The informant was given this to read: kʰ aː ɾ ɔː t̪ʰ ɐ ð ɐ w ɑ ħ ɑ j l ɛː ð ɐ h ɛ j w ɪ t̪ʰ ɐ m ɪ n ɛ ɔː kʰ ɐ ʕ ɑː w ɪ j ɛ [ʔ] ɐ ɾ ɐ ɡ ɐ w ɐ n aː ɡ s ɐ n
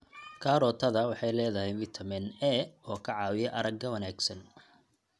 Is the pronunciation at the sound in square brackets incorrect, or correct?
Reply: correct